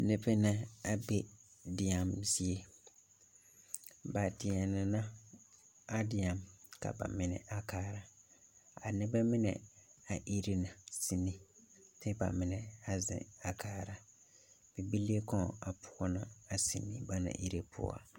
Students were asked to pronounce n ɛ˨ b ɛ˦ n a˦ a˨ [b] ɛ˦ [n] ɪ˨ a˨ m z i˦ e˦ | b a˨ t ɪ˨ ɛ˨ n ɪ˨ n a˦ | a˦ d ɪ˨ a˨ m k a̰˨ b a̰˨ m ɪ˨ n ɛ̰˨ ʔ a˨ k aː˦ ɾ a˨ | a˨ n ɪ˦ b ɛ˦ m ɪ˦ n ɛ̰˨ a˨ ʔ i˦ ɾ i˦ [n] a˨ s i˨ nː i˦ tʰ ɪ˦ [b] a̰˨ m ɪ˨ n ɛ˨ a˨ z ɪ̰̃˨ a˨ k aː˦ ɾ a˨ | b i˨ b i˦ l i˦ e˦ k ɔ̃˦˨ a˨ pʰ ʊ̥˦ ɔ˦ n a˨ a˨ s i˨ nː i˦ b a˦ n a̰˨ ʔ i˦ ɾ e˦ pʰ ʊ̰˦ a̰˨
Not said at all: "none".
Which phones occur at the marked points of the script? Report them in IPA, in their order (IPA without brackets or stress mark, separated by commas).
b, d, n, b